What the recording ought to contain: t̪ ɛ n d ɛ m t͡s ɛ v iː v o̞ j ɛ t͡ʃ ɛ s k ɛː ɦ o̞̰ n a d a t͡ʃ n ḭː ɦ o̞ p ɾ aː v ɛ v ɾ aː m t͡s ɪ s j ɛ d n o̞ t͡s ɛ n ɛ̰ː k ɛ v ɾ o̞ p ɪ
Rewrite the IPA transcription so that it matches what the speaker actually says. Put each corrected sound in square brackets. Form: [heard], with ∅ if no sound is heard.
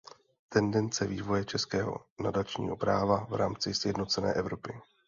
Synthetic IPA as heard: t̪ ɛ n d ɛ [n] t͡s ɛ v iː v o̞ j ɛ t͡ʃ ɛ s k ɛː ɦ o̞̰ n a d a t͡ʃ [ɲ] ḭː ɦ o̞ p ɾ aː v [a] v ɾ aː m t͡s ɪ s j ɛ d n o̞ t͡s ɛ n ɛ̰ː [ʔ] ɛ v ɾ o̞ p ɪ